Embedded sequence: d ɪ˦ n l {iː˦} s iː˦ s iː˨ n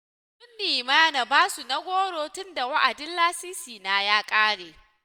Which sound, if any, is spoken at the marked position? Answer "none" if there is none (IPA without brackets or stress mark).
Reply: aː˦